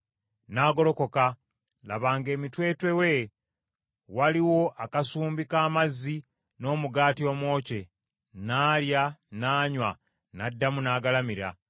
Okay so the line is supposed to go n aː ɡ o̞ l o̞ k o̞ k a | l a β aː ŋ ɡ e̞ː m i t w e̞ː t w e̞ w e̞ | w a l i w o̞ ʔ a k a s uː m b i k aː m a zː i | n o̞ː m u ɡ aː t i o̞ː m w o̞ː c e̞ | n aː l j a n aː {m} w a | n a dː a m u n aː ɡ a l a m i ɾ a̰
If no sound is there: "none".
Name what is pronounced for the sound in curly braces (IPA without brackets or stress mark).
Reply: ɲ